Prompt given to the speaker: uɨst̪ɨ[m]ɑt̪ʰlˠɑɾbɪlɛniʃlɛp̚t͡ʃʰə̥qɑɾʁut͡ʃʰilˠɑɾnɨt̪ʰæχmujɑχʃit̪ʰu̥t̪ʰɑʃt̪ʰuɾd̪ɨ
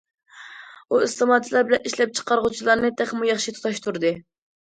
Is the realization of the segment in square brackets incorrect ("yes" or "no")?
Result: no